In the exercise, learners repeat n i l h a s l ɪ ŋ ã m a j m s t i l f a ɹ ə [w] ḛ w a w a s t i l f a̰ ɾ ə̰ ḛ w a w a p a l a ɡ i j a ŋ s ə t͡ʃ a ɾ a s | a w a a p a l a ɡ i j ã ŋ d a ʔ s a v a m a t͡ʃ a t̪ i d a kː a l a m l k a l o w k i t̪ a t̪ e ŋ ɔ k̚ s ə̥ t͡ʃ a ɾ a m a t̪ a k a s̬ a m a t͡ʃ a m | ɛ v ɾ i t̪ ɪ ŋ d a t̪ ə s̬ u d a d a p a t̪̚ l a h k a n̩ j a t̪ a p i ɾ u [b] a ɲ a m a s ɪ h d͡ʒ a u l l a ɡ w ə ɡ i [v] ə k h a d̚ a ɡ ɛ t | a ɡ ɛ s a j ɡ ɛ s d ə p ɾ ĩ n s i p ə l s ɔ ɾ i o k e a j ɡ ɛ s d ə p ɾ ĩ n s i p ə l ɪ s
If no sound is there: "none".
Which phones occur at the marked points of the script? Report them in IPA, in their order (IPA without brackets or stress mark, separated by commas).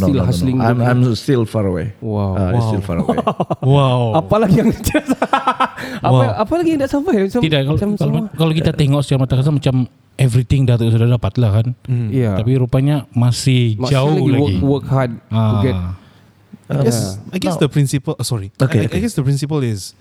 w, p, w